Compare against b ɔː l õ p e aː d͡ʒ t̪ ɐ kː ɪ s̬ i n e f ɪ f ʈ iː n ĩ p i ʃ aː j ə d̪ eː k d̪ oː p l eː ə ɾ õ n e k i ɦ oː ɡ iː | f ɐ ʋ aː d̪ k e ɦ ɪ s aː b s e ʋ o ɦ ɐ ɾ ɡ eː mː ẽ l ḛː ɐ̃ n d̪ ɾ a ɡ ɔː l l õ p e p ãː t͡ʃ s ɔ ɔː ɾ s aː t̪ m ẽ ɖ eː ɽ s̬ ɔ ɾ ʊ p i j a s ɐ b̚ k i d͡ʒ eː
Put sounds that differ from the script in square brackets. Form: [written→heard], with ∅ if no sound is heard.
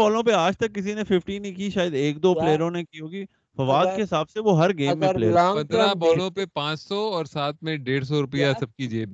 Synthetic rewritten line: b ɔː l õ p e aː d͡ʒ t̪ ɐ kː ɪ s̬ i n e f ɪ f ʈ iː n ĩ [p→k] i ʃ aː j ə d̪ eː k d̪ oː p l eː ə ɾ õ n e k i ɦ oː ɡ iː | f ɐ ʋ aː d̪ k e ɦ ɪ s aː b s e ʋ o ɦ ɐ ɾ ɡ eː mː ẽ l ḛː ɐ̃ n d̪ ɾ a [ɡ→b] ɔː l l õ p e p ãː t͡ʃ s ɔ ɔː ɾ s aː t̪ m ẽ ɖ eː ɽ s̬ ɔ ɾ ʊ p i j a s ɐ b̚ k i d͡ʒ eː